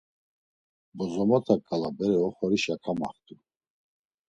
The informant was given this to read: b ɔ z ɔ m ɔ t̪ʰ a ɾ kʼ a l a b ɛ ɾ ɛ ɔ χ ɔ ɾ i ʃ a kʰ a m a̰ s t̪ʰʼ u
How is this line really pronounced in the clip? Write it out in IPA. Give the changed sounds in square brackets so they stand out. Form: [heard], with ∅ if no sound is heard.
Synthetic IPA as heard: b ɔ z ɔ m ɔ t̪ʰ a [∅] kʼ a l a b ɛ ɾ ɛ ɔ χ ɔ ɾ i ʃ a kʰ a m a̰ [χ] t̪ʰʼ u